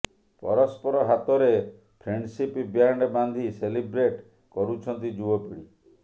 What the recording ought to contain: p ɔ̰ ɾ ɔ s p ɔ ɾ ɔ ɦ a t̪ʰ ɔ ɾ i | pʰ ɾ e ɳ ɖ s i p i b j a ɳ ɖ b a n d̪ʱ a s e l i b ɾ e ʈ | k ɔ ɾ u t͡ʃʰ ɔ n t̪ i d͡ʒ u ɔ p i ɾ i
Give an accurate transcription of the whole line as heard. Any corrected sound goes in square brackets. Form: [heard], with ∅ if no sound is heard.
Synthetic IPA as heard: p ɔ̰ ɾ ɔ s p ɔ ɾ ɔ ɦ a [t̪] ɔ ɾ [e] | pʰ ɾ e ɳ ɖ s i p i b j a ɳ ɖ b a n d̪ʱ [i] s e l i b ɾ e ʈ | k ɔ ɾ u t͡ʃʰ ɔ n t̪ i d͡ʒ u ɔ p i [ɽ] i

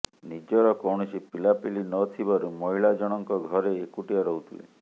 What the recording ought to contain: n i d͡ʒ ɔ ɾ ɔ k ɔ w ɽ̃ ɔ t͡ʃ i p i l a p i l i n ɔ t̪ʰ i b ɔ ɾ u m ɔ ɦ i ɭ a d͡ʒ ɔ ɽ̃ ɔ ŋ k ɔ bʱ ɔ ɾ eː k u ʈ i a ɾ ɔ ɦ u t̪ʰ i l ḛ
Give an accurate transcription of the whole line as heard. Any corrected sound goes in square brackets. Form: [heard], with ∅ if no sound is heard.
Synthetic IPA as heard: n i d͡ʒ ɔ ɾ ɔ k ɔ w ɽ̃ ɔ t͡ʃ i p i l a p i l i n ɔ t̪ʰ i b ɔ ɾ u m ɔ ɦ i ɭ a d͡ʒ ɔ ɽ̃ ɔ ŋ k ɔ [ɡʱ] ɔ ɾ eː k u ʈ i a ɾ ɔ ɦ u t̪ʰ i l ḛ

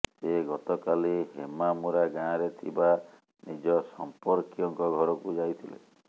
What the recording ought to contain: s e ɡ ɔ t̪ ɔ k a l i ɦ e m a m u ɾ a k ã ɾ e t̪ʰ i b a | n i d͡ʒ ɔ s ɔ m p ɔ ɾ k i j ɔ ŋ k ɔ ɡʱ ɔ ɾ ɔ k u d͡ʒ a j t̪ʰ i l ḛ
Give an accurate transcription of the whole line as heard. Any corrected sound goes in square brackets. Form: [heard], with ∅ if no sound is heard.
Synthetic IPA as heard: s e ɡ ɔ t̪ ɔ k a l i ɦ e m a m u ɾ a [ɡ] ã ɾ e t̪ʰ i b a | n i d͡ʒ ɔ s ɔ m p ɔ ɾ k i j ɔ ŋ k ɔ ɡʱ ɔ ɾ ɔ k u d͡ʒ a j t̪ʰ i l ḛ

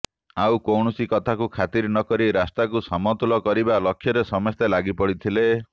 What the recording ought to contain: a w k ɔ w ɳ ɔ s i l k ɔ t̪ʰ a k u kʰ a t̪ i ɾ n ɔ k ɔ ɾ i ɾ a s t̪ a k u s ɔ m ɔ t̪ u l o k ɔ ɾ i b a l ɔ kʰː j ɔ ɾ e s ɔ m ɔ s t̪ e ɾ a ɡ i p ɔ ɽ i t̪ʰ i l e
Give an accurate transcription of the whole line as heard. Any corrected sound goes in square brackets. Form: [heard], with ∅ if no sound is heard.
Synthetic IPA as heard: a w k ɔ w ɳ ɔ s i [∅] k ɔ t̪ʰ a k u kʰ a t̪ i ɾ n ɔ k ɔ ɾ i ɾ a s t̪ a k u s ɔ m ɔ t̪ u l [ɔ] k ɔ ɾ i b a l ɔ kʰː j ɔ ɾ e s ɔ m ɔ s t̪ e [l] a ɡ i p ɔ ɽ i t̪ʰ i l e

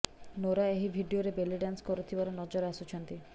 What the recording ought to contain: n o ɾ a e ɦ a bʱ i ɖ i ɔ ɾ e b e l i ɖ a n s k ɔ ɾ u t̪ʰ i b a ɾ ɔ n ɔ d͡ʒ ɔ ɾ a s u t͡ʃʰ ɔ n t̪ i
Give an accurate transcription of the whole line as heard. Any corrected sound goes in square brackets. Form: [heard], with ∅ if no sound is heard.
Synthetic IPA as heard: n o ɾ a e ɦ [i] bʱ i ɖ i [o] ɾ e b e l i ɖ a n s k ɔ ɾ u t̪ʰ i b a ɾ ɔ n ɔ d͡ʒ ɔ ɾ a s u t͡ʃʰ ɔ n t̪ i

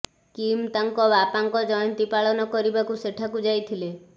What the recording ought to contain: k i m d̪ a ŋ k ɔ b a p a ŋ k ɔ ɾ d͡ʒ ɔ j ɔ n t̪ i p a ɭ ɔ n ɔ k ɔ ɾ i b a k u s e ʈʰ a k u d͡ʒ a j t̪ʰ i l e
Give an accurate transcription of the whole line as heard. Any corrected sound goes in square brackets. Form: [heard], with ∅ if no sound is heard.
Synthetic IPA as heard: k i m [t̪] a ŋ k ɔ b a p a ŋ k ɔ [∅] d͡ʒ ɔ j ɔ n t̪ i p a ɭ ɔ n ɔ k ɔ ɾ i b a k u s e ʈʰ a k u d͡ʒ a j t̪ʰ i l e

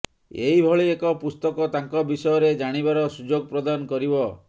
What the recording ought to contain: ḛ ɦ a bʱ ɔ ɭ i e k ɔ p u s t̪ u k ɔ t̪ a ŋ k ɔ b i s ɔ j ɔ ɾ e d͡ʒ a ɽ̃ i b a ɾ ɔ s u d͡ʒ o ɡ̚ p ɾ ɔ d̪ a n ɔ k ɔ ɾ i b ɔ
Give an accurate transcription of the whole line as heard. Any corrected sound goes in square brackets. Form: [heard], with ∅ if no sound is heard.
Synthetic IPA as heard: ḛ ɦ [i] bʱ ɔ ɭ i e k ɔ p u s t̪ [ɔ] k ɔ t̪ a ŋ k ɔ b i s ɔ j ɔ ɾ e d͡ʒ a ɽ̃ i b a ɾ ɔ s u d͡ʒ o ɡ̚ p ɾ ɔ d̪ a n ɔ k ɔ ɾ i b ɔ

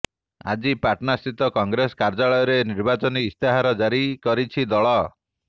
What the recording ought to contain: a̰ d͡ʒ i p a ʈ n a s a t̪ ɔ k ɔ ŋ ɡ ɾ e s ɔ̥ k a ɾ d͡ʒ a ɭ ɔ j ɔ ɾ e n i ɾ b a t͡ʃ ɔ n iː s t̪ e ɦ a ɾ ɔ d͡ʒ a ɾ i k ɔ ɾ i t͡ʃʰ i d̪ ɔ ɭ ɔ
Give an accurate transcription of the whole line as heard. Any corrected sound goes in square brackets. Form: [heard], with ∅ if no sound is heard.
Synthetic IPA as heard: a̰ d͡ʒ i p a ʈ n a s [i] t̪ ɔ k ɔ ŋ ɡ ɾ e s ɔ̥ k a ɾ d͡ʒ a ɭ ɔ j ɔ ɾ e n i ɾ b a t͡ʃ ɔ n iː s t̪ e ɦ a ɾ ɔ d͡ʒ a ɾ i k ɔ ɾ i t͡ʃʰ i d̪ ɔ ɭ ɔ

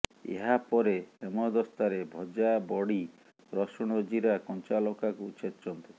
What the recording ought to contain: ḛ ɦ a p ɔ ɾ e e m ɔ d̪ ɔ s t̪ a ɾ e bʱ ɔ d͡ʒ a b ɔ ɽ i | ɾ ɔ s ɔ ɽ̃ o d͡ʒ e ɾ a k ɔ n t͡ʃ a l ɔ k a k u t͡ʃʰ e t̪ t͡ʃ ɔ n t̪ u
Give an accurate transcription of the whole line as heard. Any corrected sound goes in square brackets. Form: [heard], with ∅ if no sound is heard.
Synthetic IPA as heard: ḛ ɦ a p ɔ ɾ e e m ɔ d̪ ɔ s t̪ a ɾ e bʱ ɔ d͡ʒ a b ɔ ɽ i | ɾ ɔ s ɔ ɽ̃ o d͡ʒ [i] ɾ a k ɔ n t͡ʃ a l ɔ k a k u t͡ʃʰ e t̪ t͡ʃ ɔ n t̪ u

